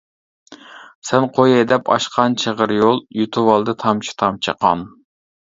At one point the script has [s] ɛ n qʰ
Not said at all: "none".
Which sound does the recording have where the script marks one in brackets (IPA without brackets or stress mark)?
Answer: s